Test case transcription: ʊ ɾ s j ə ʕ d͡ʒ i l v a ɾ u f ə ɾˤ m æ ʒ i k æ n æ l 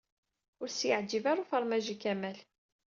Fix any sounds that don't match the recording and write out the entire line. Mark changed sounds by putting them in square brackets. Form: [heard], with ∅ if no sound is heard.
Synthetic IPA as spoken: ʊ ɾ s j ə ʕ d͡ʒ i [∅] v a ɾ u f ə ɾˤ m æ ʒ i k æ [m] æ l